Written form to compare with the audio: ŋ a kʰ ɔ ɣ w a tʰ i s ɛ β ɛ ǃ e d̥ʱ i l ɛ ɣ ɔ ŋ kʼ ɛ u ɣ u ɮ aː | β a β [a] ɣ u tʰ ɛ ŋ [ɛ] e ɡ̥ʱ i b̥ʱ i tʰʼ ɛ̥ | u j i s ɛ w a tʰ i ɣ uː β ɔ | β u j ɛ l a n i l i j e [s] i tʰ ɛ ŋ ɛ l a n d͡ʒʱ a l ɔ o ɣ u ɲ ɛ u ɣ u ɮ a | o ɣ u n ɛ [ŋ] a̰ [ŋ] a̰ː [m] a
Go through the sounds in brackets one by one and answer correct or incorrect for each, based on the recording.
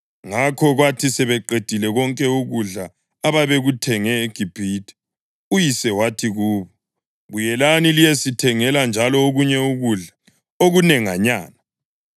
incorrect: e, correct, correct, correct, incorrect: ɲ, incorrect: n

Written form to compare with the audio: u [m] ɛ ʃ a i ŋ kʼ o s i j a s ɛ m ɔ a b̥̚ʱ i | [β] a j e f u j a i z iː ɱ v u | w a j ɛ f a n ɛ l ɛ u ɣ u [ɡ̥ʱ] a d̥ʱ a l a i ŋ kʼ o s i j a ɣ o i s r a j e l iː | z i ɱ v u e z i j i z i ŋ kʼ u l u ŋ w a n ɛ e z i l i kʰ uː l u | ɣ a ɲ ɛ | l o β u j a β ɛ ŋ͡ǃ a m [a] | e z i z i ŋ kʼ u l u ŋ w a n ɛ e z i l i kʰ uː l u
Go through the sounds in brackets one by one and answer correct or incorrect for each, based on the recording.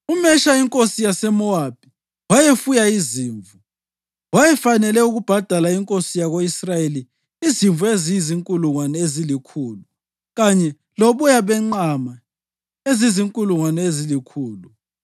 correct, incorrect: w, incorrect: b̥ʱ, correct

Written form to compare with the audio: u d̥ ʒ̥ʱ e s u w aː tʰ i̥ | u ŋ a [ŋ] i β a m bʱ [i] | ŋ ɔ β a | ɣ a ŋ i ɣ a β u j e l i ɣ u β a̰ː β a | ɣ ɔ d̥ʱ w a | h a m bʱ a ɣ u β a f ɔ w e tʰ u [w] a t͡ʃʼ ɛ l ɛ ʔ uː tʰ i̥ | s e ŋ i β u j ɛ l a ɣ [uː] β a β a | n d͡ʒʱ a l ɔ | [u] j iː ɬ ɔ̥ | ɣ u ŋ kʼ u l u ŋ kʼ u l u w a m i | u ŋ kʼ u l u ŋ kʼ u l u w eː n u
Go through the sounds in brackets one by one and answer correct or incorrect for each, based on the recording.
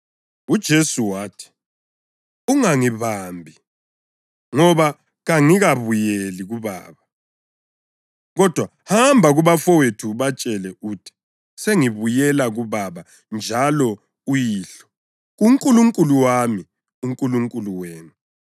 correct, correct, incorrect: β, incorrect: u, correct

